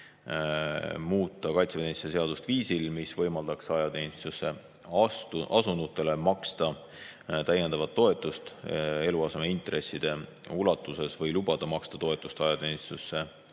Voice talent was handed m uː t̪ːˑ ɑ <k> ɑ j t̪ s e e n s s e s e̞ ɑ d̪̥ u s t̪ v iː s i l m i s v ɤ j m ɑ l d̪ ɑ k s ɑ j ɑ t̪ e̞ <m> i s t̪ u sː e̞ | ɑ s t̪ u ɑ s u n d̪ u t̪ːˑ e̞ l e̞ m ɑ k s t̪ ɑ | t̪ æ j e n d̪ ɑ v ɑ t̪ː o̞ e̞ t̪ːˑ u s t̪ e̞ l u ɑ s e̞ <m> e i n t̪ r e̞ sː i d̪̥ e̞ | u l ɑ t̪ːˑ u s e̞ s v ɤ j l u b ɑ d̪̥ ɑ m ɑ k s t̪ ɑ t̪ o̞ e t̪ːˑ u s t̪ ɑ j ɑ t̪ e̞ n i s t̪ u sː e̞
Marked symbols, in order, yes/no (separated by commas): yes, no, yes